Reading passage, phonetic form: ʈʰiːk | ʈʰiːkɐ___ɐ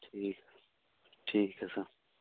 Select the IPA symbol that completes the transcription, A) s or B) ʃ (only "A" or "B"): A